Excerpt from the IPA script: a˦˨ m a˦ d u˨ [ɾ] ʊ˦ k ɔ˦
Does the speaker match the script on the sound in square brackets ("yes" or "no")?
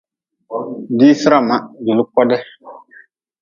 no